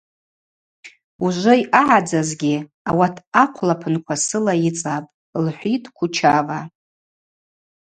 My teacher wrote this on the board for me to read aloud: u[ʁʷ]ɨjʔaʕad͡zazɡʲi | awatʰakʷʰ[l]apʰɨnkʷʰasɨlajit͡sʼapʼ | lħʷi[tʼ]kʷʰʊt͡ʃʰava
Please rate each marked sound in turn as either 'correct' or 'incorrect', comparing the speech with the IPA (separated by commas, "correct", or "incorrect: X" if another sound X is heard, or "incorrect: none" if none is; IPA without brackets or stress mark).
incorrect: ʒʷ, correct, correct